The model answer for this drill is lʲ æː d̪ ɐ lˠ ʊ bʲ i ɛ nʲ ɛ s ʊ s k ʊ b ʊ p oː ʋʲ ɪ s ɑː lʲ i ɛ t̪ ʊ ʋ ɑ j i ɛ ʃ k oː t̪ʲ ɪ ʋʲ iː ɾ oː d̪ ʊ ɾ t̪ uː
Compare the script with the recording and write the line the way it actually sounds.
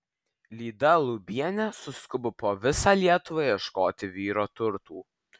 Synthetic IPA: lʲ iː d̪ ɐ lˠ ʊ bʲ i ɛ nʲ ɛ s ʊ s k ʊ b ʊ p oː ʋʲ ɪ s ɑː lʲ i ɛ t̪ ʊ ʋ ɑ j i ɛ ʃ k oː t̪ʲ ɪ ʋʲ iː ɾ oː t̪ ʊ ɾ t̪ uː